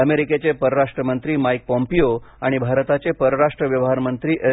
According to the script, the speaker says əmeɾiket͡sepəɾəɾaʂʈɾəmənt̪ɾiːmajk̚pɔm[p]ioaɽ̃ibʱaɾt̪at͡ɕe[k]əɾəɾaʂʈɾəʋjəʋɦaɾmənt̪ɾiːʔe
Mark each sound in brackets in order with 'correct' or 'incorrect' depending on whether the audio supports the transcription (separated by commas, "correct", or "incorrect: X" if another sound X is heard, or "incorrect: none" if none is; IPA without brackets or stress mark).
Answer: correct, incorrect: p